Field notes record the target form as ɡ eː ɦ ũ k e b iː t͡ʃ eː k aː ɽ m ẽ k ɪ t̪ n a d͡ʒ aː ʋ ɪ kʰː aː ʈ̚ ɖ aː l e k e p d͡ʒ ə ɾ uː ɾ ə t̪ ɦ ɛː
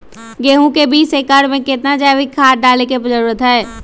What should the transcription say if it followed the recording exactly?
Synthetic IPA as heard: ɡ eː ɦ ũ k e b iː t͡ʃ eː k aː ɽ m ẽ k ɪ t̪ n a d͡ʒ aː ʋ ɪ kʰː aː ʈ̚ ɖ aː l e k e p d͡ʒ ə ɾ uː ɾ ə t̪ ɦ ɛː

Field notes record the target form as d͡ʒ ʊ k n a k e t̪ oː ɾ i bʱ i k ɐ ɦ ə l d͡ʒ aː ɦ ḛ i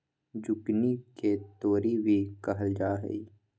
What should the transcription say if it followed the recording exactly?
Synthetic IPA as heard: d͡ʒ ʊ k n i k e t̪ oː ɾ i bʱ i k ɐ ɦ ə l d͡ʒ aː ɦ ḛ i

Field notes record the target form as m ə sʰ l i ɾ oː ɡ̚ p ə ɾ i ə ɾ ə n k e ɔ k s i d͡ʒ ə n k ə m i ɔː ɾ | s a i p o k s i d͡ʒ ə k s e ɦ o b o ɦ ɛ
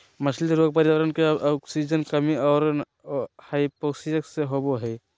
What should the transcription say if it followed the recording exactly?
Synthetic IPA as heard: m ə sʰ l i ɾ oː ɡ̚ p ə ɾ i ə ɾ ə n k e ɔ k s i d͡ʒ ə n k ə m i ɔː ɾ | h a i p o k s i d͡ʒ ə k s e ɦ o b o ɦ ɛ

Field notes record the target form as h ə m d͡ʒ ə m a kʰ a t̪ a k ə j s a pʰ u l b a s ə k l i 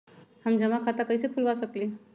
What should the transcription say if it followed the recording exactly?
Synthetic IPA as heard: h ə m d͡ʒ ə m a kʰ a t̪ a k ə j s e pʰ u l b a s ə k l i

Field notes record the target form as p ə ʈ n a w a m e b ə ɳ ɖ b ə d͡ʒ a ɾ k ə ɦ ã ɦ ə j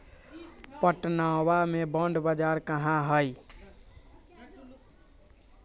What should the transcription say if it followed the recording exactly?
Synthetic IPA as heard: p ə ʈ n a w a m e b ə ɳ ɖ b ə d͡ʒ a ɾ k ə ɦ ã ɦ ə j

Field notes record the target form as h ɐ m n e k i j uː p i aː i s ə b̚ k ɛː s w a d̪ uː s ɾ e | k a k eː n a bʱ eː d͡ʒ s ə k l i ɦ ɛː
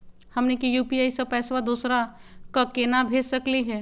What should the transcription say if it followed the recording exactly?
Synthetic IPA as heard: h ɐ m n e k i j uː p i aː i s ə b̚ p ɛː s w a d̪ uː s ɾ a | k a k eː n a bʱ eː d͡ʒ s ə k l i ɦ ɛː

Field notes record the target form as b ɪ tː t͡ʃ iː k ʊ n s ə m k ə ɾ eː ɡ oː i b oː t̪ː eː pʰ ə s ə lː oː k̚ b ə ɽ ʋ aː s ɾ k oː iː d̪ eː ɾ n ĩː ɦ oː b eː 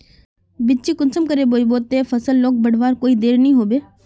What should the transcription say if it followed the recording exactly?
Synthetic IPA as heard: b ɪ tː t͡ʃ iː k ʊ n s ə m k ə ɾ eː b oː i b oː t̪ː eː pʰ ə s ə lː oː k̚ b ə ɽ ʋ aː ɾ k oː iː d̪ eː ɾ n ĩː ɦ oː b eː

